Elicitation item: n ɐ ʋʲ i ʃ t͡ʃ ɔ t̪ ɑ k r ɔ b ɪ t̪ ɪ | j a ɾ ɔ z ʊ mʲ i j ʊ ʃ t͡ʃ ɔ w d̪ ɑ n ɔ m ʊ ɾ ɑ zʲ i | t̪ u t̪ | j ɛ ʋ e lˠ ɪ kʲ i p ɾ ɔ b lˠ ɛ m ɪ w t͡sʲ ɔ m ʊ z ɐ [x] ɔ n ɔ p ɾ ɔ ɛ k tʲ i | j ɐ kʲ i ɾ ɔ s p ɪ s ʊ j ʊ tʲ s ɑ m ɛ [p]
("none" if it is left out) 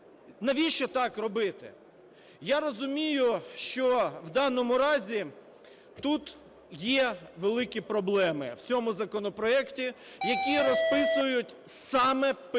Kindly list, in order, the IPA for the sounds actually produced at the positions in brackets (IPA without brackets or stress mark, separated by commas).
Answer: k, p